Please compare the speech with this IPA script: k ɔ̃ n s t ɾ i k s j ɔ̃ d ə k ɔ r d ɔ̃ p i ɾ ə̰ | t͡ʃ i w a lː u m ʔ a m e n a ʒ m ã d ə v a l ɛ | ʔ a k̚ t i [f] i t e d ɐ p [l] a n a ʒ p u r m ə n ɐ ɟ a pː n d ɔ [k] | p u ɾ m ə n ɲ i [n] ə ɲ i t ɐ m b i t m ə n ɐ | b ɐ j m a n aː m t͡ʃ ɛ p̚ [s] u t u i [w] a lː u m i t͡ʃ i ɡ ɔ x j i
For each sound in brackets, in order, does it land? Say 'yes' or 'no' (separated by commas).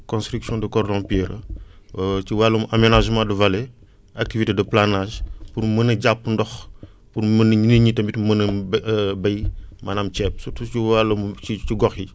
no, yes, no, yes, yes, yes